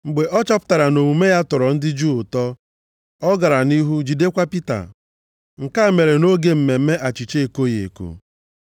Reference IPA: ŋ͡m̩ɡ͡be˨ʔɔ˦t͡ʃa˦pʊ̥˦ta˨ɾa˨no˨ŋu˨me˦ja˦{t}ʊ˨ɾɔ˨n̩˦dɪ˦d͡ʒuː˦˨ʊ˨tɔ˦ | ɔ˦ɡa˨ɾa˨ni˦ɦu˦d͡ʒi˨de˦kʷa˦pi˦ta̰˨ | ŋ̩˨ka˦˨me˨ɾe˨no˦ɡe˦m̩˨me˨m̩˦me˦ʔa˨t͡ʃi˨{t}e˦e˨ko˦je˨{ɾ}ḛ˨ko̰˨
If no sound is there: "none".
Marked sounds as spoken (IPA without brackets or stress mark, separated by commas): t, t͡ʃ, none